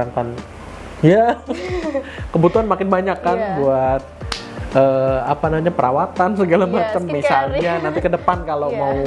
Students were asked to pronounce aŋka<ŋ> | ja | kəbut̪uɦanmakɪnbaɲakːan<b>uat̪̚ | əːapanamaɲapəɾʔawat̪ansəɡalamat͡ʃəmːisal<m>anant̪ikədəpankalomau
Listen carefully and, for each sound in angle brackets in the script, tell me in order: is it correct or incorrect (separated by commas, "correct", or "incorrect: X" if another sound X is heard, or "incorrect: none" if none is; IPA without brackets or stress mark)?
incorrect: n, correct, incorrect: ɲ